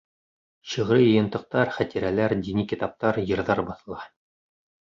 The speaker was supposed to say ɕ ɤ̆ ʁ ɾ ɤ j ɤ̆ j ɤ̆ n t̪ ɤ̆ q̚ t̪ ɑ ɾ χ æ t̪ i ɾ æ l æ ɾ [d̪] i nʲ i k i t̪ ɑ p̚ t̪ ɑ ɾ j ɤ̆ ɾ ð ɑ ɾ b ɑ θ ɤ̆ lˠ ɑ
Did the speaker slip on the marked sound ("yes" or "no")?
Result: no